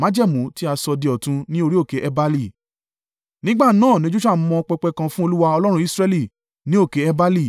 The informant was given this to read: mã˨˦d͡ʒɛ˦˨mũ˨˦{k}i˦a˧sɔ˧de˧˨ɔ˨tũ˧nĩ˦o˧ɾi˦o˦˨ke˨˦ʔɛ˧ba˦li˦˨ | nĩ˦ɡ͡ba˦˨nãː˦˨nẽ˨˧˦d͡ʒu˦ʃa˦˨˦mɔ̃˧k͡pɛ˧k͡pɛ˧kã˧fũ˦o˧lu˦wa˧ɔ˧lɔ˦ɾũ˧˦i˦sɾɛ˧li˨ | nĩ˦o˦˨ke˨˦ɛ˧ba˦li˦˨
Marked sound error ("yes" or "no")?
yes